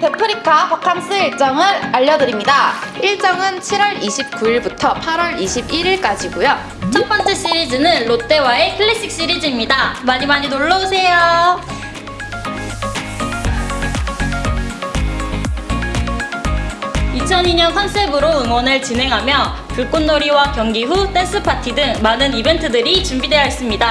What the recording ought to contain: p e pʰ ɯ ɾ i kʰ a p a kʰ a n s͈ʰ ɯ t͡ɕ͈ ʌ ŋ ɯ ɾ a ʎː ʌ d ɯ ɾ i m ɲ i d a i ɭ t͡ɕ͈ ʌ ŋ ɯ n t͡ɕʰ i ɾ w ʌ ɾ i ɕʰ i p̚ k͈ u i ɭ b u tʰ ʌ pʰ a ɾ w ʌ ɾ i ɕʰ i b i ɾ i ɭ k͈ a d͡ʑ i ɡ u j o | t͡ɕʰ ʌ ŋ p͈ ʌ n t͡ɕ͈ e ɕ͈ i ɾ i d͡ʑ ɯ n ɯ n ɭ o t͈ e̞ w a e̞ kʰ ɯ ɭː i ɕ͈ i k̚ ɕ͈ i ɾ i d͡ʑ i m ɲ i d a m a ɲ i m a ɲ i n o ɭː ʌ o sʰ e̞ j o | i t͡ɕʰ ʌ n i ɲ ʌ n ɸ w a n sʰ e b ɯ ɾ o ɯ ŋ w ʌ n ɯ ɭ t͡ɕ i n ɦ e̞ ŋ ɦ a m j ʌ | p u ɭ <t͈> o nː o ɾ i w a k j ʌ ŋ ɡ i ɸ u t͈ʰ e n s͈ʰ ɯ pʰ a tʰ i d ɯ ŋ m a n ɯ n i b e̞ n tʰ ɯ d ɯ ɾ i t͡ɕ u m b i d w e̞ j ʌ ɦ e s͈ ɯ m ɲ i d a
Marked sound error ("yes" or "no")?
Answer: yes